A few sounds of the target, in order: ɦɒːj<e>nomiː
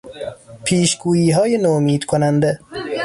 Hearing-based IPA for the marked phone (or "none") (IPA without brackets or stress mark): e